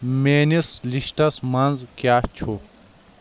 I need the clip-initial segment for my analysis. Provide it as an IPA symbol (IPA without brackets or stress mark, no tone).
m